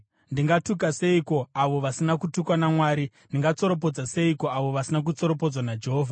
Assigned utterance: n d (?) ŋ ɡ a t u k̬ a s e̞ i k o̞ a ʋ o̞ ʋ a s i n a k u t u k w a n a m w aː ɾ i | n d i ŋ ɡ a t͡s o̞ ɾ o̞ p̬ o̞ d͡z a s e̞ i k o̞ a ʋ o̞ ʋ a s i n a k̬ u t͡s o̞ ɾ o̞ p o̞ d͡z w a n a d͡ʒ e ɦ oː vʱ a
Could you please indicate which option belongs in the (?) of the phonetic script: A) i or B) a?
A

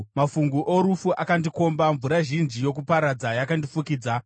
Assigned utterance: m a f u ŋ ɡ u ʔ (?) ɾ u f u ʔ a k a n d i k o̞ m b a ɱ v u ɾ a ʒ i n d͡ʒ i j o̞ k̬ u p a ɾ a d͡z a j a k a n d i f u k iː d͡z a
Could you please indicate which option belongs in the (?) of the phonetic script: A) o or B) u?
A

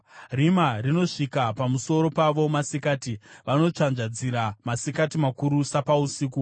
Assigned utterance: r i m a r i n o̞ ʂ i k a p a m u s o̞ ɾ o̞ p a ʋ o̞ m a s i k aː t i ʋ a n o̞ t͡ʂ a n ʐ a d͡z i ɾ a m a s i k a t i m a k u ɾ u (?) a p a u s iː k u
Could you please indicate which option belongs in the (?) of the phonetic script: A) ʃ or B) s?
B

